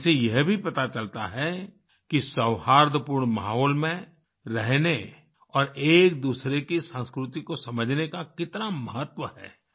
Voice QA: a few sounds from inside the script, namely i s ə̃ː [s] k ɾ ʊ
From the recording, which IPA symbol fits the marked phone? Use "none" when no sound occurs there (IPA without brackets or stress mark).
s